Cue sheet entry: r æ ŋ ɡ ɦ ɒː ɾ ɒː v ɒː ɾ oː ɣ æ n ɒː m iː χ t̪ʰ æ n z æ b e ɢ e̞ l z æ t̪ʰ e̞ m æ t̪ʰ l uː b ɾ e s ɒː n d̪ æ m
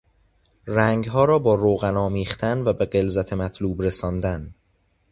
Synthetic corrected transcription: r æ ŋ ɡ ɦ ɒː ɾ ɒː b ɒː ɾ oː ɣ æ n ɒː m iː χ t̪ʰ æ n v æ b e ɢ e̞ l z æ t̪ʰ e̞ m æ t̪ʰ l uː b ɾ e s ɒː n d̪ æ n